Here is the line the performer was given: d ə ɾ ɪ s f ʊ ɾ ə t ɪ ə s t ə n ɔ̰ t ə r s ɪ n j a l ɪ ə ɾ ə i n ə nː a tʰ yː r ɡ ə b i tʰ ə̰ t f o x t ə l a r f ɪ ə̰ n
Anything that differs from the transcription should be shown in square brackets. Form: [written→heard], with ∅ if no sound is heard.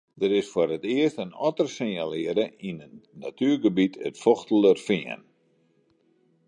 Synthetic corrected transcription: d ə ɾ ɪ s f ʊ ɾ ə t ɪ ə s t ə n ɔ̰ t ə r s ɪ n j a l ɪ ə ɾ ə i n ə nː a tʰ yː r ɡ ə b i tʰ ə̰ t f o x t ə l [a→ə] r f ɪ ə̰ n